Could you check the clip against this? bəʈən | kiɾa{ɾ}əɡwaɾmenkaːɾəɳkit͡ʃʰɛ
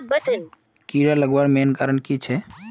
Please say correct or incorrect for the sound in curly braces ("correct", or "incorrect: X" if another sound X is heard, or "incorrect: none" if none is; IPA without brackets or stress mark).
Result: incorrect: l